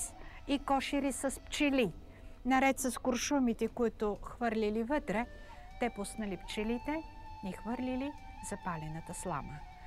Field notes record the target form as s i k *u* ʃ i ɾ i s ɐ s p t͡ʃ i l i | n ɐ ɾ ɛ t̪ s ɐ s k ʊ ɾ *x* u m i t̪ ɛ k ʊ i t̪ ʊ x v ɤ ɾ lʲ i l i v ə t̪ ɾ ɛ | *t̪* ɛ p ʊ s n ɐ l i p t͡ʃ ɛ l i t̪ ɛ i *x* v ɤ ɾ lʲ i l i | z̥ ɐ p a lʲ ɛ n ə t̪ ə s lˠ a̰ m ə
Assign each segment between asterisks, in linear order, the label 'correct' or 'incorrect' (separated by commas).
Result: incorrect, incorrect, correct, correct